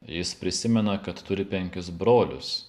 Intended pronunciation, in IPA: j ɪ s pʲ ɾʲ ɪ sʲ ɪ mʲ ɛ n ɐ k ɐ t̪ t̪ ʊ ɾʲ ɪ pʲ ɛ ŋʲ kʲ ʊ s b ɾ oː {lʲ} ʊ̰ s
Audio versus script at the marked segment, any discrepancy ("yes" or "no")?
no